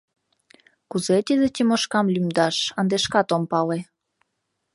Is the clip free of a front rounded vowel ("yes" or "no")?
no